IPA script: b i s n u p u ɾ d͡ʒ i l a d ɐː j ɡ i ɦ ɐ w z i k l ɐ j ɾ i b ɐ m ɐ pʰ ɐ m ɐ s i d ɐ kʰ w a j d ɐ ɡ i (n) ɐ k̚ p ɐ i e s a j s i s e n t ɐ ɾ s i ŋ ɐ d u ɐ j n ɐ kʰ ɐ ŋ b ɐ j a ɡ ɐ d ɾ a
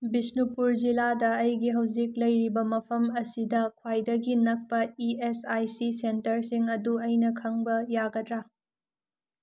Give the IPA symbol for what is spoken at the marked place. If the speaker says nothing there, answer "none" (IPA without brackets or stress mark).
n